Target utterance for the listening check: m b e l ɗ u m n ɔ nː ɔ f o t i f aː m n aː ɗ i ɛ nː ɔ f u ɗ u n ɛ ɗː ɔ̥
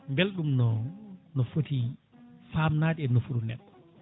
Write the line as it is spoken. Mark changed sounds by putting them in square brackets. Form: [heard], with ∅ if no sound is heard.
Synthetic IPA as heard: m b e l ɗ u m n ɔ [n] ɔ f o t i f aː m n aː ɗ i ɛ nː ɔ f u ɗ u n ɛ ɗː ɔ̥